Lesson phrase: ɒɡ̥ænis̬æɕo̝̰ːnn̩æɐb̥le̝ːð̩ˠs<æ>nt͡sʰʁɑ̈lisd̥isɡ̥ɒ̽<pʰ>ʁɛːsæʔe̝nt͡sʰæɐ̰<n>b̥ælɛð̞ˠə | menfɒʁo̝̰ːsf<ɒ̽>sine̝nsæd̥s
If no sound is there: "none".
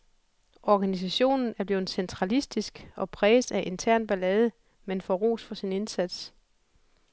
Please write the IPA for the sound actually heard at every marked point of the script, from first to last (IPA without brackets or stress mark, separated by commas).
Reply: e, pʰ, n, ɒ̽